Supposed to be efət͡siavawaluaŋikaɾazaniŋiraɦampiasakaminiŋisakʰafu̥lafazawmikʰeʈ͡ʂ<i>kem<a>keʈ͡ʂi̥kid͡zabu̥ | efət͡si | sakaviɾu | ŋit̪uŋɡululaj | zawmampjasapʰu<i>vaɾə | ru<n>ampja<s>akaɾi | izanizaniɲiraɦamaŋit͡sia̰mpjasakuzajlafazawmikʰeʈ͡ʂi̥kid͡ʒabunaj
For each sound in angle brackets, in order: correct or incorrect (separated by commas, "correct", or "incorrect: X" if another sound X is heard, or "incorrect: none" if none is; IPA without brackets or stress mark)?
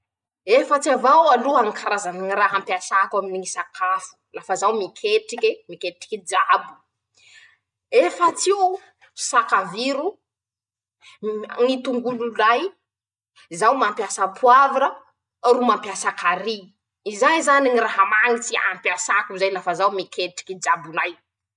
correct, incorrect: i, incorrect: a, incorrect: m, correct